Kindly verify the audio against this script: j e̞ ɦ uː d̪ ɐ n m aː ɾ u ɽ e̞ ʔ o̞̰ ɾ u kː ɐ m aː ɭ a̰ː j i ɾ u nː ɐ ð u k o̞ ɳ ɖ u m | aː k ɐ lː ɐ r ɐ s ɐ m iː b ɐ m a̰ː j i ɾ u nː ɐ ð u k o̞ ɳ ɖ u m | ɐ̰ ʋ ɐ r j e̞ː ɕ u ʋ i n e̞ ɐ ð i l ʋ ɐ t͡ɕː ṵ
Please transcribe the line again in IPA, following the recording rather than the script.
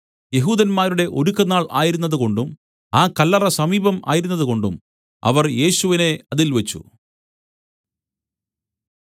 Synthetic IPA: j e̞ ɦ uː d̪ ɐ n m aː ɾ u ɽ e̞ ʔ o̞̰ ɾ u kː ɐ n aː ɭ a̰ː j i ɾ u nː ɐ ð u k o̞ ɳ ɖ u m | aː k ɐ lː ɐ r ɐ s ɐ m iː b ɐ m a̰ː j i ɾ u nː ɐ ð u k o̞ ɳ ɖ u m | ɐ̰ ʋ ɐ r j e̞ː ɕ u ʋ i n e̞ ɐ ð i l ʋ ɐ t͡ɕː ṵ

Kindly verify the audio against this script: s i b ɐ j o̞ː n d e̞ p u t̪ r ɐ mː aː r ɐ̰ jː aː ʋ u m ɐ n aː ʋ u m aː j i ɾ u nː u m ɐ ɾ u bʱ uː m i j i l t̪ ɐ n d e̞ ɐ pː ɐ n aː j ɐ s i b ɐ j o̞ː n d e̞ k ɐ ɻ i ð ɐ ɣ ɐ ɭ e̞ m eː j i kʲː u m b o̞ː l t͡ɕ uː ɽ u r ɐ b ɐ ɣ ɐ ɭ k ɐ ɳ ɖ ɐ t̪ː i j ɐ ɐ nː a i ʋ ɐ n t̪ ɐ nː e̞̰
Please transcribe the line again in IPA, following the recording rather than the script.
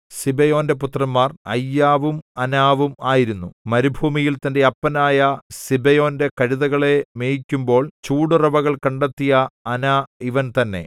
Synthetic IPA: s i b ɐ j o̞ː n d e̞ p u t̪ r ɐ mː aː r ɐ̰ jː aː ʋ u m ɐ n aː ʋ u m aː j i ɾ u nː u m ɐ ɾ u bʱ uː m i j i l t̪ ɐ n d e̞ ɐ pː ɐ n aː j ɐ s i b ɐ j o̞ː n d e̞ k ɐ ɻ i ð ɐ ɣ ɐ ɭ e̞ m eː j i kʲː u m b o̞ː ɭ t͡ɕ uː ɽ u r ɐ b ɐ ɣ ɐ ɭ k ɐ ɳ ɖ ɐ t̪ː i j ɐ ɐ n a i ʋ ɐ n t̪ ɐ nː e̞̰

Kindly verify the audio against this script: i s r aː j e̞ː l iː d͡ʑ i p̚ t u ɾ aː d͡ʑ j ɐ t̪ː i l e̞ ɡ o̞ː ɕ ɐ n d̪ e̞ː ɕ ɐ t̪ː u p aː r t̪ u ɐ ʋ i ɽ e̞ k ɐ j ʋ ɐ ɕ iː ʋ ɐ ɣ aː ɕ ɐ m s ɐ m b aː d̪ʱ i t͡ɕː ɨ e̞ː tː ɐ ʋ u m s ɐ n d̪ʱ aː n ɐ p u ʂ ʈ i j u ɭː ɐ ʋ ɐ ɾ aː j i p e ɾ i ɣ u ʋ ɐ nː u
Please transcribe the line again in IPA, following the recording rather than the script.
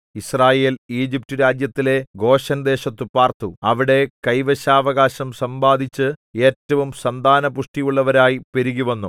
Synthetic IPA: i s r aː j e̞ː l iː d͡ʑ i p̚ t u ɾ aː d͡ʑ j ɐ t̪ː i l e̞ ɡ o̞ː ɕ ɐ n d̪ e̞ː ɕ ɐ t̪ː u p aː r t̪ u ɐ ʋ i ɽ e̞ k ɐ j ʋ ɐ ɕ aː ʋ ɐ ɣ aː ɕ ɐ m s ɐ m b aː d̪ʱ i t͡ɕː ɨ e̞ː tː ɐ ʋ u m s ɐ n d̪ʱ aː n ɐ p u ʂ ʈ i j u ɭː ɐ ʋ ɐ ɾ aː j i p e ɾ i ɣ u ʋ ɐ nː u

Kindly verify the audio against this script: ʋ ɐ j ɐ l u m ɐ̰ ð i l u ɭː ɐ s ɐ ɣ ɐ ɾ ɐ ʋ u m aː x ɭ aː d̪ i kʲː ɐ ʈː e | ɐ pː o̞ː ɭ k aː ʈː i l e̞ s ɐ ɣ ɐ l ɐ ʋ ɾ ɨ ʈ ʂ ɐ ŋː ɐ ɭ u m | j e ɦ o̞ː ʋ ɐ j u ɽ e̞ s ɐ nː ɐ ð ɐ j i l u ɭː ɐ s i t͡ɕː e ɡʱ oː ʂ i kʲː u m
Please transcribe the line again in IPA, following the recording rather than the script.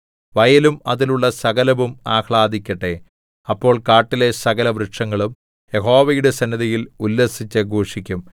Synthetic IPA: ʋ ɐ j ɐ l u m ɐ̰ ð i l u ɭː ɐ s ɐ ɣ ɐ l ɐ ʋ u m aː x ɭ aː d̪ i kʲː ɐ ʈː e | ɐ pː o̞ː ɭ k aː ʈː i l e̞ s ɐ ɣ ɐ l ɐ ʋ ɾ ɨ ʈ ʂ ɐ ŋː ɐ ɭ u m | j e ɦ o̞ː ʋ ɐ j u ɽ e̞ s ɐ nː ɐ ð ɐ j i l u lː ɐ s i t͡ɕː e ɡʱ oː ʂ i kʲː u m

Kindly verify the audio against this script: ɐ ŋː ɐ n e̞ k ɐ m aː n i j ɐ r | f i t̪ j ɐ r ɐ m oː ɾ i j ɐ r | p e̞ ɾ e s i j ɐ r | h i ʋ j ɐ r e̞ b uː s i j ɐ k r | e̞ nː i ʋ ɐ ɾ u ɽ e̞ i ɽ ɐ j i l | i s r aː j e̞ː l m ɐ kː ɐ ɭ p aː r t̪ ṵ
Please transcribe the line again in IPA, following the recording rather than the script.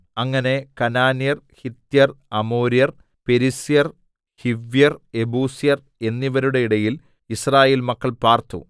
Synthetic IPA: ɐ ŋː ɐ n e̞ k ɐ n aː n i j ɐ r | h i t̪ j ɐ r ɐ m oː ɾ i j ɐ r | p e̞ ɾ i s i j ɐ r | h i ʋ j ɐ r e̞ b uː s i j ɐ r | e̞ nː i ʋ ɐ ɾ u ɽ e̞ i ɽ ɐ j i l | i s r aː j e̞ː l m ɐ kː ɐ ɭ p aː r t̪ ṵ

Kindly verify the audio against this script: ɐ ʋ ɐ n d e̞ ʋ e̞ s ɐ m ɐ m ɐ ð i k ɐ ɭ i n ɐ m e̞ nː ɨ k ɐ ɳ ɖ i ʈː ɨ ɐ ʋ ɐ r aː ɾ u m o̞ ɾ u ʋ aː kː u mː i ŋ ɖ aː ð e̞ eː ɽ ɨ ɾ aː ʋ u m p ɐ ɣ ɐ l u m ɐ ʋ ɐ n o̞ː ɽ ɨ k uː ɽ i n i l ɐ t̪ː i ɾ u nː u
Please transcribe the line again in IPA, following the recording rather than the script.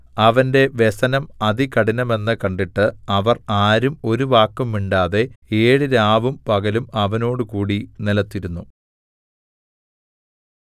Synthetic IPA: ɐ ʋ ɐ n d e̞ ʋ e̞ s ɐ n ɐ m ɐ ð i k ɐ ɽ i n ɐ m e̞ nː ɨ k ɐ ɳ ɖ i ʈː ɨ ɐ ʋ ɐ r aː ɾ u m o̞ ɾ u ʋ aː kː u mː i ɳ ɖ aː ð e̞ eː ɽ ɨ ɾ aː ʋ u m p ɐ ɣ ɐ l u m ɐ ʋ ɐ n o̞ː ɽ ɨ k uː ɽ i n i l ɐ t̪ː i ɾ u nː u

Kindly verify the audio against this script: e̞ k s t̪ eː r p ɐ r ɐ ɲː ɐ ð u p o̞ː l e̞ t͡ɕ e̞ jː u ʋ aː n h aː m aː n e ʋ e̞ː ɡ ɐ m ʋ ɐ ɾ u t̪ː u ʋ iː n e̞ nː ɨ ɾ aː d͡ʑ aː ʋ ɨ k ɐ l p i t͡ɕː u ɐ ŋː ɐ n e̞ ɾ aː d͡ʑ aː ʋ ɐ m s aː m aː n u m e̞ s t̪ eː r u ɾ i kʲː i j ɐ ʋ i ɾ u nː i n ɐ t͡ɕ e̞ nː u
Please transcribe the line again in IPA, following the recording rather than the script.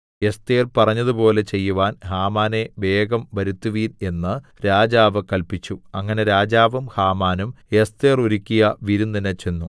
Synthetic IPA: e̞ s t̪ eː r p ɐ r ɐ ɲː ɐ ð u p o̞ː l e̞ t͡ɕ e̞ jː u ʋ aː n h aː m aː n e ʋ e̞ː ɡ ɐ m ʋ ɐ ɾ u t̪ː u ʋ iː n e̞ nː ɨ ɾ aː d͡ʑ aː ʋ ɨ k ɐ l p i t͡ɕː u ɐ ŋː ɐ n e̞ ɾ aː d͡ʑ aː ʋ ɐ m h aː m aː n u m e̞ s t̪ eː r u ɾ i kʲː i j ɐ ʋ i ɾ u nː i n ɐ t͡ɕ e̞ nː u

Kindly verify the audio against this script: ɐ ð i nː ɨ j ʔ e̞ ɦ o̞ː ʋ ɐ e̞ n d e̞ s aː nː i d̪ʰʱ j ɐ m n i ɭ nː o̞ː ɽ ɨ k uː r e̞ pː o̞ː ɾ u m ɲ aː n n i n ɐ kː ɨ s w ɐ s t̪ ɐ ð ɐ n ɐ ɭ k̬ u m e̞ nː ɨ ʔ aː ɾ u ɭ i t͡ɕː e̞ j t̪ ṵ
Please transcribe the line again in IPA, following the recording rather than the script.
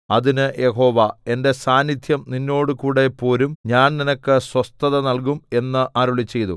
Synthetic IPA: ɐ ð i n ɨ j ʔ e̞ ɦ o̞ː ʋ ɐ e̞ n d e̞ s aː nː i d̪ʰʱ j ɐ m n i nː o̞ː ɽ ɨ k uː ɽ e̞ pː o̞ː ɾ u m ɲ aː n n i n ɐ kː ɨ s w ɐ s t̪ ɐ ð ɐ n ɐ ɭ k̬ u m e̞ nː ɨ ʔ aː ɾ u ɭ i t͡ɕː e̞ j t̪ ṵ

